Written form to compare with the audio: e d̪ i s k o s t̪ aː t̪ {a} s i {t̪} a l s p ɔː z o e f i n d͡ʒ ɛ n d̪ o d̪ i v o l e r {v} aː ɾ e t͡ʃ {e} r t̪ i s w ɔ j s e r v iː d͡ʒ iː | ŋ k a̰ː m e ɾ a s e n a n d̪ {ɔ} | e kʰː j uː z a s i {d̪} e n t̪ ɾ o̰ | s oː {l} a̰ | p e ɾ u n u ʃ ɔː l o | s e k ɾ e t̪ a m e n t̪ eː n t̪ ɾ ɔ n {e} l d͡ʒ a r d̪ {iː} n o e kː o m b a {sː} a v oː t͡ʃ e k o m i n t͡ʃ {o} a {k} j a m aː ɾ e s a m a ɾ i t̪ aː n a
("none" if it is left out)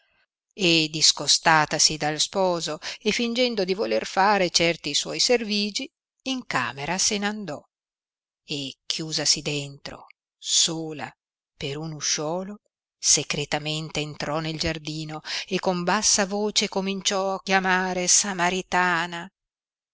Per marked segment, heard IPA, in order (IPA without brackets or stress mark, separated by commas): a, d̪, f, ɛ, ɔ, d̪, l, e, iː, sː, ɔ, k